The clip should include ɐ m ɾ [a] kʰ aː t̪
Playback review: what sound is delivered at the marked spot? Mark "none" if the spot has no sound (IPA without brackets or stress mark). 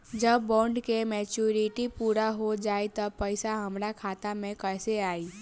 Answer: a